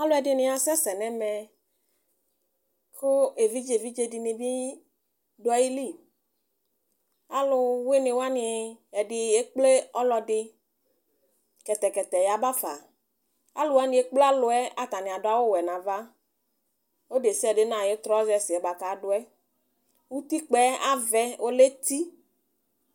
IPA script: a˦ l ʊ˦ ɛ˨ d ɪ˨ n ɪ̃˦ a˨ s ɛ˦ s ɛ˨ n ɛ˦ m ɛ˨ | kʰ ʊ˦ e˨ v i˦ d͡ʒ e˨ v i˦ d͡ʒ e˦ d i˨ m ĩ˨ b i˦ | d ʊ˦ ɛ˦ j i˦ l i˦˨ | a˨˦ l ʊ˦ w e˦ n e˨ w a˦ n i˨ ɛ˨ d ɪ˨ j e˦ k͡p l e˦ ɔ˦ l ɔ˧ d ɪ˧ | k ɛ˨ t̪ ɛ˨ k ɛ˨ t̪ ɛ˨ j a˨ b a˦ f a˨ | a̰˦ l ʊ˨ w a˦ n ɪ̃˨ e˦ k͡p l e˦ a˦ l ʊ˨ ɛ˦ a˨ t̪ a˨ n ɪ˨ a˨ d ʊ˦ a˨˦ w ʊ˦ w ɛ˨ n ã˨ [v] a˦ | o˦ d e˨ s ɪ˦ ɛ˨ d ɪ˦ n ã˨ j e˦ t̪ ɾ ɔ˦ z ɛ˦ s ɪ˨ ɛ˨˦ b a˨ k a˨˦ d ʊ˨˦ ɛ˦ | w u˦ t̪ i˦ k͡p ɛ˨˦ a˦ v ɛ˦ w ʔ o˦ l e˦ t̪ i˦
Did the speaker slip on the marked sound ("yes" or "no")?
no